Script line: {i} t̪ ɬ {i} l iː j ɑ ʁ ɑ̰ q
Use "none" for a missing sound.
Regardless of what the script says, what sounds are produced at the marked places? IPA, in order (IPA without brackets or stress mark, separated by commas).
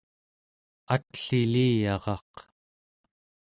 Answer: a, i